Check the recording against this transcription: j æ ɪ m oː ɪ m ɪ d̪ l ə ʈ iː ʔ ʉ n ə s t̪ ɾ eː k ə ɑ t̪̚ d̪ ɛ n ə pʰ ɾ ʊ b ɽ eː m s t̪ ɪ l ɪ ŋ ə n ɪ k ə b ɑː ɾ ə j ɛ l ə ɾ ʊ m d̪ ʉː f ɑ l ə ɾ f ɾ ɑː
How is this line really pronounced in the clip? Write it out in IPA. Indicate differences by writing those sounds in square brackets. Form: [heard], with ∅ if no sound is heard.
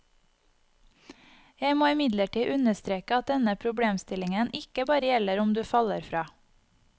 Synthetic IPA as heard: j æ ɪ m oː ɪ m ɪ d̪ l ə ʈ iː ʔ ʉ n ə s t̪ ɾ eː k ə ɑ t̪̚ d̪ ɛ n ə pʰ ɾ ʊ b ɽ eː m s t̪ ɪ l ɪ ŋ ə n ɪ k ə b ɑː ɾ ə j ɛ l ə ɾ ʊ m d̪ ʉː f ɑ l ə ɾ f ɾ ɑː

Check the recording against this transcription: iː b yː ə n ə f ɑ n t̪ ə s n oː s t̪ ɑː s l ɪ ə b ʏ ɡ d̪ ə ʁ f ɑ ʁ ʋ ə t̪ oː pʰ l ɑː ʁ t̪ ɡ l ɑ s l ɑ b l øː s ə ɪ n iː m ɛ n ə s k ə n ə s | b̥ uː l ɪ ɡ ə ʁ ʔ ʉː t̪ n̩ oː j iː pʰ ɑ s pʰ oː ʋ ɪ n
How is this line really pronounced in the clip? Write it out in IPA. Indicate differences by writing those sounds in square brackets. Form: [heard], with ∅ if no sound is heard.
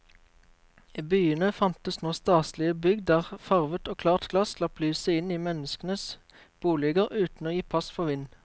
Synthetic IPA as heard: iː b yː ə n ə f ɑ n t̪ ə s n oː s t̪ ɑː s l ɪ ə b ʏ ɡ d̪ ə ʁ f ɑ ʁ ʋ ə t̪ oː [kʰ] l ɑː ʁ t̪ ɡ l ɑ s l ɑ [p] l [yː] s ə ɪ n iː m ɛ n ə s k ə n ə s | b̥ uː l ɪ ɡ ə ʁ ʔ ʉː t̪ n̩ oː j iː pʰ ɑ s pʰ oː ʋ ɪ n

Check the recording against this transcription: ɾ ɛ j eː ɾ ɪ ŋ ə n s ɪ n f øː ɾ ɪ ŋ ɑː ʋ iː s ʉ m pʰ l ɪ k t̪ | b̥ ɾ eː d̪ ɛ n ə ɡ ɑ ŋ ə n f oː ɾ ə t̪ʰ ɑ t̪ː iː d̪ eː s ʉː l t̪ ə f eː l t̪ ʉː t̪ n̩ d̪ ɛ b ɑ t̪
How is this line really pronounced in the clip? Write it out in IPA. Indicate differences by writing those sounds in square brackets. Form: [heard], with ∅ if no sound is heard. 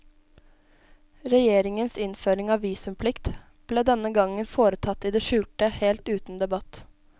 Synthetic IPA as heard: ɾ ɛ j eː ɾ ɪ ŋ ə n s ɪ n f øː ɾ ɪ ŋ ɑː ʋ iː s ʉ m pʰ l ɪ k t̪ | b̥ [l] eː d̪ ɛ n ə ɡ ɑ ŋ ə n f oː ɾ ə t̪ʰ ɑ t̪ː iː d̪ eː [ʃ] ʉː l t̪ ə [h] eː l t̪ ʉː t̪ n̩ d̪ ɛ b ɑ t̪

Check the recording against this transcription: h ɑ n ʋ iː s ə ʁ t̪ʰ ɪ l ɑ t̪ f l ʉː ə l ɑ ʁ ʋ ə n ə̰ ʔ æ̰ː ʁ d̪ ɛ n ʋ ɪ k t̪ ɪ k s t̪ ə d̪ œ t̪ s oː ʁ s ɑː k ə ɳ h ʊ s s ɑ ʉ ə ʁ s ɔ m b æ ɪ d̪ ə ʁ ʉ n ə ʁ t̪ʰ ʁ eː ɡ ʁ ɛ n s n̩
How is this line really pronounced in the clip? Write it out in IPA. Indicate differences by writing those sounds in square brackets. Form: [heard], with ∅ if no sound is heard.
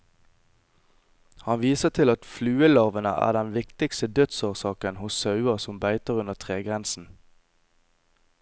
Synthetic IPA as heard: h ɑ n ʋ iː s ə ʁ t̪ʰ ɪ l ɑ t̪ f l ʉː ə l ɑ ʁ ʋ ə n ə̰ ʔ æ̰ː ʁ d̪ ɛ n ʋ ɪ k t̪ ɪ k s t̪ ə d̪ œ t̪ s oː ʁ s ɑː k ə [n] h ʊ s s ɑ ʉ ə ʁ s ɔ m b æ ɪ [t̪] ə ʁ ʉ n ə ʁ t̪ʰ ʁ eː ɡ ʁ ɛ n s n̩

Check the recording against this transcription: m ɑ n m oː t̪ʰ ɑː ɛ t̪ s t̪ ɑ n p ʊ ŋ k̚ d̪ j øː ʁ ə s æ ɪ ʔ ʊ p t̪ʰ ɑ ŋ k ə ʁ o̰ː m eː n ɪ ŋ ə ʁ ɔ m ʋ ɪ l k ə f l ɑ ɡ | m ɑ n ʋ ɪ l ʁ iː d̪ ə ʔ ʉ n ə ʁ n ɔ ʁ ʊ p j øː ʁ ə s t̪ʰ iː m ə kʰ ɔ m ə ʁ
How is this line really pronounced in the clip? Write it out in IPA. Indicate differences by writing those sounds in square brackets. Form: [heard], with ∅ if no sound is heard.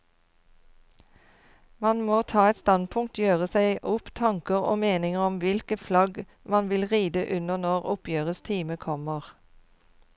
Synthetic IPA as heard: m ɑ n m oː t̪ʰ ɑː ɛ t̪ s t̪ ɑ n [pʰ] ʊ ŋ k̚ [t̪] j øː ʁ ə s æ ɪ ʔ ʊ p t̪ʰ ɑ ŋ k ə ʁ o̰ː m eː n ɪ ŋ ə ʁ ɔ m ʋ ɪ l k ə f l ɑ ɡ | m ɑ n ʋ ɪ l ʁ iː d̪ ə ʔ ʉ n ə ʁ n ɔ ʁ ʊ p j øː ʁ ə s t̪ʰ iː m ə kʰ ɔ m ə ʁ

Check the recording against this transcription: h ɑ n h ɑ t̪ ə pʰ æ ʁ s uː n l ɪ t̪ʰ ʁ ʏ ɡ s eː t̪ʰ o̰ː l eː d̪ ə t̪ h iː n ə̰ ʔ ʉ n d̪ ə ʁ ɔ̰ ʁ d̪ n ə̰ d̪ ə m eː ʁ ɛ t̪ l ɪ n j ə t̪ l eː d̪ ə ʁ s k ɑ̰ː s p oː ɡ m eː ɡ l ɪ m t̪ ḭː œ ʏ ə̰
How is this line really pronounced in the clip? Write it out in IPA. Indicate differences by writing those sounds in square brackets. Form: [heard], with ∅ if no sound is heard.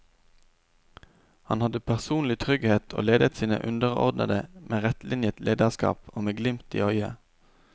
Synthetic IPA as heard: h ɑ n h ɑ [d̪] ə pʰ æ ʁ s uː n l ɪ t̪ʰ ʁ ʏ ɡ [h] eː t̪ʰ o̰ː l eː d̪ ə t̪ [s] iː n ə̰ ʔ ʉ n d̪ ə ʁ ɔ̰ ʁ d̪ n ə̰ d̪ ə m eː ʁ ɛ t̪ l ɪ n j ə t̪ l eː d̪ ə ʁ s k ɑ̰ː [∅] p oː [∅] m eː ɡ l ɪ m t̪ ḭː œ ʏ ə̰

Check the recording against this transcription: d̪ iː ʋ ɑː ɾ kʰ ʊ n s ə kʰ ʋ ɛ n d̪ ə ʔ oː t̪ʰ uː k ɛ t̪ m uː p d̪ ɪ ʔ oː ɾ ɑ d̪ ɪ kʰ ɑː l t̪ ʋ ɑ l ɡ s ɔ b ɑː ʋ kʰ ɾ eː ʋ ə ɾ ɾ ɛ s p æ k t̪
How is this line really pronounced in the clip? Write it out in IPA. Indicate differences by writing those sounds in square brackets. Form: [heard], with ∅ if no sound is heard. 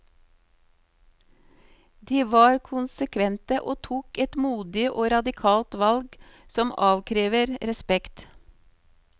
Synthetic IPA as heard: d̪ iː ʋ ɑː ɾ kʰ ʊ n s ə kʰ ʋ ɛ n [t̪] ə ʔ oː t̪ʰ uː k ɛ t̪ m uː [∅] d̪ ɪ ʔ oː ɾ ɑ d̪ ɪ kʰ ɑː l t̪ ʋ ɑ l ɡ s ɔ [m] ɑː ʋ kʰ ɾ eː ʋ ə ɾ ɾ ɛ s p [ɛ] k t̪

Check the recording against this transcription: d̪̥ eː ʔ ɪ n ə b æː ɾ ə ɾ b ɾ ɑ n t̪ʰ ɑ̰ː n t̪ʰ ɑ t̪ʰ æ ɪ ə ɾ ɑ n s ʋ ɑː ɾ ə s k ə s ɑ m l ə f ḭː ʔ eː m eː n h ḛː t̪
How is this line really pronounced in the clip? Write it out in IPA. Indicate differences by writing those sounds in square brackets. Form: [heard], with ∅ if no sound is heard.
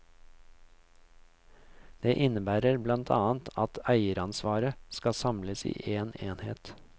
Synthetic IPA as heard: d̪̥ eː ʔ ɪ n ə b æː ɾ ə ɾ b [l] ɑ n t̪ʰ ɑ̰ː n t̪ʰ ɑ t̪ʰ æ ɪ ə ɾ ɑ n s ʋ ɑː ɾ ə s k [ɑ] s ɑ m l ə [s] ḭː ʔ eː [n] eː n h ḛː t̪

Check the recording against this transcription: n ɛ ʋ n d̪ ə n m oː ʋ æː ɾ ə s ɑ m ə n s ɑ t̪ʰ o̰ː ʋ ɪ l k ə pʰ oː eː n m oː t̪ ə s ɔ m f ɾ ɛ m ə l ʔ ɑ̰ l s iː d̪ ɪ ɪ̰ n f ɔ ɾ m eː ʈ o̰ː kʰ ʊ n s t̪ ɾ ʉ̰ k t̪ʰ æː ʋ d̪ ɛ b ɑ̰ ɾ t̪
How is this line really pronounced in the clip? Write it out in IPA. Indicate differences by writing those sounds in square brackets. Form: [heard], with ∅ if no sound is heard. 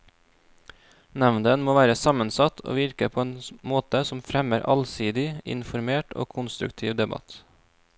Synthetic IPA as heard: n ɛ ʋ n d̪ ə n m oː ʋ æː ɾ ə s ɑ m ə n s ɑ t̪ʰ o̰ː ʋ ɪ [ɾ] k ə pʰ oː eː n m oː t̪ ə s ɔ m f ɾ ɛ m ə [ɾ] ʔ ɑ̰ l s iː d̪ ɪ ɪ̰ n f ɔ ɾ m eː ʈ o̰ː kʰ ʊ n s t̪ ɾ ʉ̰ k t̪ʰ [iː] ʋ d̪ ɛ b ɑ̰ [∅] t̪

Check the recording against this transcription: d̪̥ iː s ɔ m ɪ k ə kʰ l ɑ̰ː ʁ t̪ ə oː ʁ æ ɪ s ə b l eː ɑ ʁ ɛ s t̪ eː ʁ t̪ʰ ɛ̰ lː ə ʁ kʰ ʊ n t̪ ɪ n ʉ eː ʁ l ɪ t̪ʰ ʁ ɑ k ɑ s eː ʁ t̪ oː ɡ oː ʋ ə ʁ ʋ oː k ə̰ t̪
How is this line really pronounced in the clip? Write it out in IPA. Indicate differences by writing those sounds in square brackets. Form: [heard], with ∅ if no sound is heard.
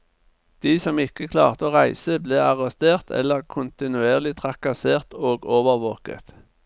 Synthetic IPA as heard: d̪̥ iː s ɔ m ɪ k ə kʰ l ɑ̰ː ʁ t̪ ə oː ʁ æ ɪ s ə b l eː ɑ ʁ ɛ s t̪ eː ʁ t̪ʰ ɛ̰ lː ə ʁ kʰ ʊ n t̪ ɪ n ʉ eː ʁ l ɪ t̪ʰ ʁ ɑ k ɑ s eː ʁ t̪ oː ɡ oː ʋ ə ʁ ʋ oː k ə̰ t̪

